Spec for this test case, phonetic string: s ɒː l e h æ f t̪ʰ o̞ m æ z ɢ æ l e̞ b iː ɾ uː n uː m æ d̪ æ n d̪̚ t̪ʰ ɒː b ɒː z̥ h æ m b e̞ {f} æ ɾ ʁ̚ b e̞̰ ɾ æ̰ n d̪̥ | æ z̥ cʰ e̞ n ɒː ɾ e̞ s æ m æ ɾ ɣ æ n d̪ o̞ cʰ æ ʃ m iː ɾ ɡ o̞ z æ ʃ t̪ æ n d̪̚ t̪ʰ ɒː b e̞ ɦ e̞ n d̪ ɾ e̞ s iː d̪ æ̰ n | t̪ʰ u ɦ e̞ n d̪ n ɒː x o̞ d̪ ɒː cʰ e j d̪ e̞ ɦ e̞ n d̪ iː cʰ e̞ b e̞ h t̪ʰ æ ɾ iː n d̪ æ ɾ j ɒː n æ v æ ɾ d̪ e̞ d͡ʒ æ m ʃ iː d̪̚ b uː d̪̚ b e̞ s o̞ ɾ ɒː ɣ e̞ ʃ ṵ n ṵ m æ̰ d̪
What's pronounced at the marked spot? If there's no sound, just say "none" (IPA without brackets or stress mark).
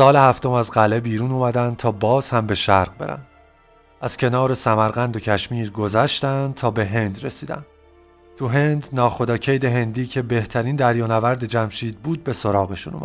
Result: ʃ